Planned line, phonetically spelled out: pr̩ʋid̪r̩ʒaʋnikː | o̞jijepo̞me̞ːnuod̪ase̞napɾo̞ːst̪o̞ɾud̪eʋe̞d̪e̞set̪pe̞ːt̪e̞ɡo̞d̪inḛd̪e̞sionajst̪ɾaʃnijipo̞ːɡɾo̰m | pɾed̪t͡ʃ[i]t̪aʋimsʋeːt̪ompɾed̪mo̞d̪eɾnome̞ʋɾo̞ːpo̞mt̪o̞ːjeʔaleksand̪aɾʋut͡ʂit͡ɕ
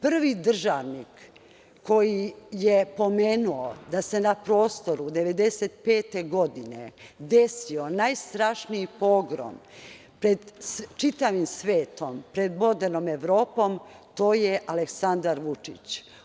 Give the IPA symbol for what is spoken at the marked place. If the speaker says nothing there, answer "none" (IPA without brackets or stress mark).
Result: i